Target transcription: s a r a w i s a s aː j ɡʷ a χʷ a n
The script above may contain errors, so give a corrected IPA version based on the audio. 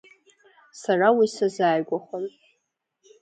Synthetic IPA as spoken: s a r a w i s a z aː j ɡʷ a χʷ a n